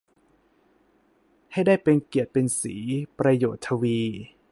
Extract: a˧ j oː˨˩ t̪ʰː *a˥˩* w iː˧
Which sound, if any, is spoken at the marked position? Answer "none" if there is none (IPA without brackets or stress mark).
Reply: a˧